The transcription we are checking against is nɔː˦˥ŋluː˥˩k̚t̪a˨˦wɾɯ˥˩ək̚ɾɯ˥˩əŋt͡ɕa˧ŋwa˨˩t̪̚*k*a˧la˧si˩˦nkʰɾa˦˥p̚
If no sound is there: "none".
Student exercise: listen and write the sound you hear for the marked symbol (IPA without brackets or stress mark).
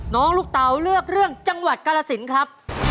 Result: k